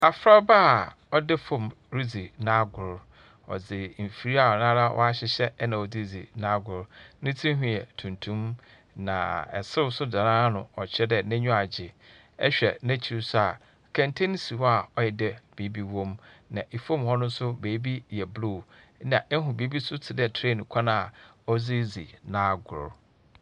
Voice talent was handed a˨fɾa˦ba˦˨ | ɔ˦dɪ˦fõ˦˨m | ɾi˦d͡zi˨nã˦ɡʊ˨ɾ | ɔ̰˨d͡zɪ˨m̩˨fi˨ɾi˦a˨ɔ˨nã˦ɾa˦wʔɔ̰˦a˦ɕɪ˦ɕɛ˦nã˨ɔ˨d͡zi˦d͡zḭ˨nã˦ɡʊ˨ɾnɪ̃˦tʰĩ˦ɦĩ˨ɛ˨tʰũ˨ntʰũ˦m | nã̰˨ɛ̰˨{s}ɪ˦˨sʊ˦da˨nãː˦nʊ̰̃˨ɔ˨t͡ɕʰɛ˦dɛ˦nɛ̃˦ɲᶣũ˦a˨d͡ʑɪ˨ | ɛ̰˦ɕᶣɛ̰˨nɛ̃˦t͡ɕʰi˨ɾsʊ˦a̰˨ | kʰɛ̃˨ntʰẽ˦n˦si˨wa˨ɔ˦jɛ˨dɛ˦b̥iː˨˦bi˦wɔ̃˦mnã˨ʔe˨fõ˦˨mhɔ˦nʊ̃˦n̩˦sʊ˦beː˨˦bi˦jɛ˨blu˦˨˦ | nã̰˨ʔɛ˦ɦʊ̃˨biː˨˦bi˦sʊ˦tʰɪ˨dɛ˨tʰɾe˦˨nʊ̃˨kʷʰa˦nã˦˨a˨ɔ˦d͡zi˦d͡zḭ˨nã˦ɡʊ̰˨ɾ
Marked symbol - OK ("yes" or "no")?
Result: yes